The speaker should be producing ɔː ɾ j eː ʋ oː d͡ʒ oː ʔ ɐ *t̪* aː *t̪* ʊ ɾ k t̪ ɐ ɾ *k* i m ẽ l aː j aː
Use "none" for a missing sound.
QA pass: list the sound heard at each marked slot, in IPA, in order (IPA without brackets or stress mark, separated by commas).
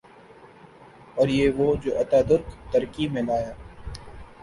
t̪, d̪, k